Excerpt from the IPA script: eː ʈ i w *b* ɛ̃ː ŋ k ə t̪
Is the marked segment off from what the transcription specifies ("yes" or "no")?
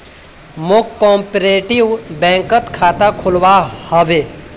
no